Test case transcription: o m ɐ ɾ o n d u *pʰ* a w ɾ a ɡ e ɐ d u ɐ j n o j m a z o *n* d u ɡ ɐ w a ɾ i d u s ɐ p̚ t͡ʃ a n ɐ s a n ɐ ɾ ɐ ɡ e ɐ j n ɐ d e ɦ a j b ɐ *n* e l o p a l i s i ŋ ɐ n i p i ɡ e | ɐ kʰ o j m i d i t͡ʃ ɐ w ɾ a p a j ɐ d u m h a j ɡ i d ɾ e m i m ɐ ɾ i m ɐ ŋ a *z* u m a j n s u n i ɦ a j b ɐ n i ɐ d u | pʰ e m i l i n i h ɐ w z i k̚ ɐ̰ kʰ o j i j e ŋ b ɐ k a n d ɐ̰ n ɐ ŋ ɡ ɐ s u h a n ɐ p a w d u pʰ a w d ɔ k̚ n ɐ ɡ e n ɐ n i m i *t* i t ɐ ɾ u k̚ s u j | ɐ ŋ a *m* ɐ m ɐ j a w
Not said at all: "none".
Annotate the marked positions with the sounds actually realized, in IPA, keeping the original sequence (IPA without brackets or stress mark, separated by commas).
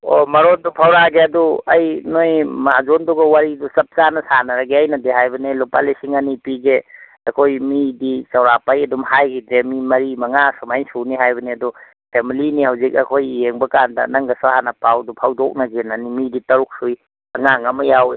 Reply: pʰ, n, n, s, d, ŋ